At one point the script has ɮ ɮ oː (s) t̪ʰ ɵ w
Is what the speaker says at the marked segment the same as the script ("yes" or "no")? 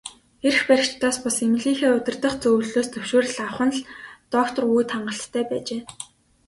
yes